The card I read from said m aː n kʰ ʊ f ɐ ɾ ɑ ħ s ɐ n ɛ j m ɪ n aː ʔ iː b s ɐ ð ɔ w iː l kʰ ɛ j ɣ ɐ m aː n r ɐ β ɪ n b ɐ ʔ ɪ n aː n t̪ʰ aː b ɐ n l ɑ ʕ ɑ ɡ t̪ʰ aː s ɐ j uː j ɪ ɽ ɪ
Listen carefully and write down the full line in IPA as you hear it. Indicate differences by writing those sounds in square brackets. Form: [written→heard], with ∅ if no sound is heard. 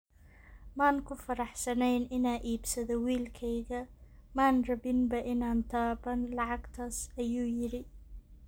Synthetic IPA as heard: m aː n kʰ ʊ f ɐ ɾ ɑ ħ s ɐ n ɛ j [m→n] ɪ n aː ʔ iː b s ɐ ð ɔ w iː l kʰ ɛ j ɣ ɐ m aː n r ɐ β ɪ n b ɐ ʔ ɪ n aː n t̪ʰ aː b ɐ n l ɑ ʕ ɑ ɡ t̪ʰ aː s ɐ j uː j ɪ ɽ ɪ

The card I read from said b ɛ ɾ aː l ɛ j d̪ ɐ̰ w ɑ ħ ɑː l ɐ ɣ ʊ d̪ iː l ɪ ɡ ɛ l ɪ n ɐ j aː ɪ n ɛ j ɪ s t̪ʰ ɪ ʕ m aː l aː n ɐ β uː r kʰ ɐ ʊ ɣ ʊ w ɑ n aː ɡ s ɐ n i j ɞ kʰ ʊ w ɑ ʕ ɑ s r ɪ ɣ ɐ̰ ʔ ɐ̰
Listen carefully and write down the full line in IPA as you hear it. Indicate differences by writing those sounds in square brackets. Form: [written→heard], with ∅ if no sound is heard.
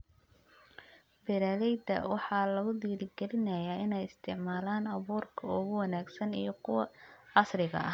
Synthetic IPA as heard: b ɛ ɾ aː l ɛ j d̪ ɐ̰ w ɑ ħ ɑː l ɐ ɣ ʊ d̪ iː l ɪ ɡ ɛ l ɪ n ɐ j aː ɪ n ɛ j ɪ s t̪ʰ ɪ ʕ m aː l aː n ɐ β uː r kʰ ɐ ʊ ɣ ʊ w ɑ n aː ɡ s ɐ n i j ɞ kʰ ʊ w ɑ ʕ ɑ s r ɪ ɣ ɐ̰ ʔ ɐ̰

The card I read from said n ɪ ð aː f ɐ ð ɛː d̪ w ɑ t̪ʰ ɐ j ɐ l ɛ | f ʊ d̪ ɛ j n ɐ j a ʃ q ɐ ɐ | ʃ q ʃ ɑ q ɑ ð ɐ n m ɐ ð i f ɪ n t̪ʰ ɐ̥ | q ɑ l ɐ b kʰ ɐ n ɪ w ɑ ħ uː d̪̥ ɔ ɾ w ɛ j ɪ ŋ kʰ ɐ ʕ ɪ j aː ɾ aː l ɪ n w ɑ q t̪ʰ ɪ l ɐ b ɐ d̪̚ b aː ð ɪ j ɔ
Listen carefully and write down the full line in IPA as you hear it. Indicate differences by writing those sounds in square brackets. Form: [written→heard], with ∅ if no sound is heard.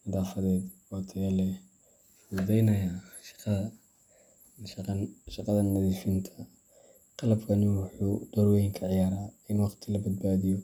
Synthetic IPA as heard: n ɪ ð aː f ɐ ð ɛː d̪ w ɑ t̪ʰ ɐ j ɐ l ɛ | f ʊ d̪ ɛ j n ɐ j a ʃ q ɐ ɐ | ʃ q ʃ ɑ q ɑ ð ɐ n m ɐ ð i f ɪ n t̪ʰ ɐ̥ | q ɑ l ɐ b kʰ ɐ n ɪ w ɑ ħ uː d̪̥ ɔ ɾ w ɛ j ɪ ŋ kʰ ɐ ʕ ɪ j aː ɾ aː [l→∅] ɪ n w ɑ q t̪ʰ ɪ l ɐ b ɐ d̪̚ b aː ð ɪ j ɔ

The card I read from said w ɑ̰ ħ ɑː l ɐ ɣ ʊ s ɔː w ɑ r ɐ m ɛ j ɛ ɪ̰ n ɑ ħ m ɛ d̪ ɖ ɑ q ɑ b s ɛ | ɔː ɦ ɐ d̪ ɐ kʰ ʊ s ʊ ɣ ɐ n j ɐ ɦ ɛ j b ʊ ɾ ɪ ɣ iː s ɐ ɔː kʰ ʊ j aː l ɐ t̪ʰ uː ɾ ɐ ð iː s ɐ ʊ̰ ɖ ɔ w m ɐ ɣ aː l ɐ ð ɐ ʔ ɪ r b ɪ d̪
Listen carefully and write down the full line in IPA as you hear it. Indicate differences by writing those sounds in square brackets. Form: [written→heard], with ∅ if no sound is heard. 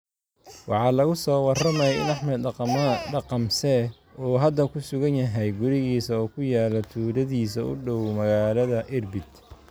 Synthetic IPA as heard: w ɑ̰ ħ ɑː l ɐ ɣ ʊ s ɔː w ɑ r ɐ m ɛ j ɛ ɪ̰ n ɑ ħ m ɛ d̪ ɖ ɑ q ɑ [b→m] s ɛ | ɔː ɦ ɐ d̪ ɐ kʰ ʊ s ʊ ɣ ɐ n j ɐ ɦ ɛ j [b→ɡ] ʊ ɾ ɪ ɣ iː s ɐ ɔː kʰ ʊ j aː l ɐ t̪ʰ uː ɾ ɐ ð iː s ɐ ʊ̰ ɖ ɔ w m ɐ ɣ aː l ɐ ð ɐ ʔ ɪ r b ɪ d̪

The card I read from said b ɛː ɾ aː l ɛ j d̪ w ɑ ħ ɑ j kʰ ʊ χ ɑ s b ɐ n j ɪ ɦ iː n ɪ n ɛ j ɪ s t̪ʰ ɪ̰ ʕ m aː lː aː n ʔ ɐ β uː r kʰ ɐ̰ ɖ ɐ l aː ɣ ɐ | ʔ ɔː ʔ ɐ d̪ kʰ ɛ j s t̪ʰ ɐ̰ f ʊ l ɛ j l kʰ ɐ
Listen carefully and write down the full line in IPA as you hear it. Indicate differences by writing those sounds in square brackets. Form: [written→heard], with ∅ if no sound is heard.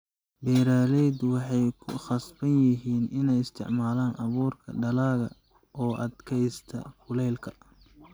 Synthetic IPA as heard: b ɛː ɾ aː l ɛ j d̪ w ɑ ħ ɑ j kʰ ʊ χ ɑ s b ɐ n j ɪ ɦ iː n ɪ n ɛ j ɪ s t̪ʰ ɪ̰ ʕ m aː [lː→l] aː n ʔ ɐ β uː r kʰ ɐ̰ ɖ ɐ l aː ɣ ɐ | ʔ ɔː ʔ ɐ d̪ kʰ ɛ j s t̪ʰ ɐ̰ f ʊ l ɛ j l kʰ ɐ

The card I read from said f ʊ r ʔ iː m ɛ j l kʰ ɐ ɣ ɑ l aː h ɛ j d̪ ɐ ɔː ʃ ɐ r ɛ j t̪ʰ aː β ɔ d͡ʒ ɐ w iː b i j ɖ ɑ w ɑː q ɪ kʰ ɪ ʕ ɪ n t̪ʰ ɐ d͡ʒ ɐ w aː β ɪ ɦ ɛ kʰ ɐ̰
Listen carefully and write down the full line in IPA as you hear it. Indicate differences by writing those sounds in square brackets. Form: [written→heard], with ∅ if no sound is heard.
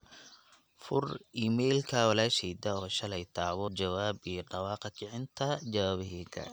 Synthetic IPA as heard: f ʊ r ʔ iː m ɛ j l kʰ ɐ [ɣ→w] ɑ l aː [h→ʃ] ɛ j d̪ ɐ ɔː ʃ ɐ [r→l] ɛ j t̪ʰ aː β ɔ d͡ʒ ɐ w [iː→aː] b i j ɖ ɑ w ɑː q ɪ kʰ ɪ ʕ ɪ n t̪ʰ ɐ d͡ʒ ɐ w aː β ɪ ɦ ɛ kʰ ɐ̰

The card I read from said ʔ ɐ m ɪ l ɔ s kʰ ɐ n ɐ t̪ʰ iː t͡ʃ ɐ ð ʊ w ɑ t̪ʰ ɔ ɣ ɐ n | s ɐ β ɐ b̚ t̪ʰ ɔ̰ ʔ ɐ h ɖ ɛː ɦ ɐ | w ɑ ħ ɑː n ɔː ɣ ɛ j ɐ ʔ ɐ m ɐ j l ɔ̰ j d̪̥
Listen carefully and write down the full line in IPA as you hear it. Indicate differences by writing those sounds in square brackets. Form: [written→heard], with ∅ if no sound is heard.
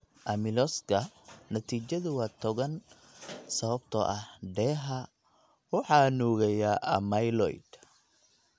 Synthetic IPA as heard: ʔ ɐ m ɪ l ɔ s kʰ ɐ n ɐ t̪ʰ iː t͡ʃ ɐ ð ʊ w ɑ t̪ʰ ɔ ɣ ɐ n | s ɐ β ɐ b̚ t̪ʰ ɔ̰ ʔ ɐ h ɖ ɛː ɦ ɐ | w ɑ ħ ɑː n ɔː ɣ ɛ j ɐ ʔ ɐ m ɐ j l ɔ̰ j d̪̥

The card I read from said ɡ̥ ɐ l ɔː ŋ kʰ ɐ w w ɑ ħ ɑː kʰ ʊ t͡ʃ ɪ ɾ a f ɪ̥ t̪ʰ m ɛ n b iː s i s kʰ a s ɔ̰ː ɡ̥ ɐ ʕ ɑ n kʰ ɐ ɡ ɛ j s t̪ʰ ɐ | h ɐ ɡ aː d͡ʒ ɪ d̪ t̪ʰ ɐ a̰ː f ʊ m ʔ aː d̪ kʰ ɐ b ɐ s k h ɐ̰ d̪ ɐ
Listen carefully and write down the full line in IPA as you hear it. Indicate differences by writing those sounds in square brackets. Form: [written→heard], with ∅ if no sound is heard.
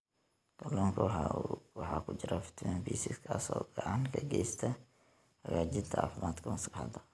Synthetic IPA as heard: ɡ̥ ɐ l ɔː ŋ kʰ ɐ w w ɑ ħ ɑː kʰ ʊ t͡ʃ ɪ ɾ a f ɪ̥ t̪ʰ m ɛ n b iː s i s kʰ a s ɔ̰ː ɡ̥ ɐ ʕ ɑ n kʰ ɐ ɡ ɛ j s t̪ʰ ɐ | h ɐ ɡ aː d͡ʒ ɪ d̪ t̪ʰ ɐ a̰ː f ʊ m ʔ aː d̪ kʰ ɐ [b→m] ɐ s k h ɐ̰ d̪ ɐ

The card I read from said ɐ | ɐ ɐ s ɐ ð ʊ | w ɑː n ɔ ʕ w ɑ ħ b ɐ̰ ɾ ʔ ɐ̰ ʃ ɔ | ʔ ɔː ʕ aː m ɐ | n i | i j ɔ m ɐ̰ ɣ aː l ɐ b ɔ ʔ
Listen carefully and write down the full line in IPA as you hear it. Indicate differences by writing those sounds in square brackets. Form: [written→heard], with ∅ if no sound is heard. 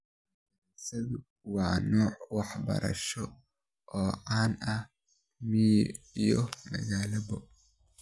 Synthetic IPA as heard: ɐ | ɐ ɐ s ɐ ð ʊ | w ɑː n [ɔ→ɔː] ʕ w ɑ ħ b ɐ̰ ɾ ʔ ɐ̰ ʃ ɔ | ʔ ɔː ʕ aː [m→n] ɐ | [n→m] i | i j ɔ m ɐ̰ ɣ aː l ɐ b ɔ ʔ

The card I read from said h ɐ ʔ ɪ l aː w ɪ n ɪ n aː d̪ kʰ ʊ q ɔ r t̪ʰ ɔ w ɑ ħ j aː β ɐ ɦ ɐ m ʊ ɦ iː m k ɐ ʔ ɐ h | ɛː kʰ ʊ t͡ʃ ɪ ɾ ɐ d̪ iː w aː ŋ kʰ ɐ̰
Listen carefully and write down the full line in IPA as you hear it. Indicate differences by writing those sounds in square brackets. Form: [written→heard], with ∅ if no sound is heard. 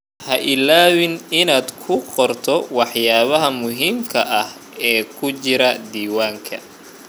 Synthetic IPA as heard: h ɐ ʔ ɪ l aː w ɪ n ɪ n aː d̪ kʰ ʊ q ɔ r t̪ʰ ɔ w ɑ ħ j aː β ɐ ɦ ɐ m ʊ ɦ iː m [k→kʰ] ɐ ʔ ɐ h | ɛː kʰ ʊ t͡ʃ ɪ ɾ ɐ d̪ iː w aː ŋ kʰ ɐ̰

